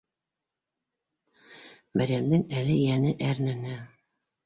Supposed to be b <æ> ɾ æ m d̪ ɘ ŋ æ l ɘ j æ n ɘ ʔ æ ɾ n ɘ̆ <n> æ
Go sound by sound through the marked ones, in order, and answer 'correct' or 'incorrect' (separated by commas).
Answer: correct, correct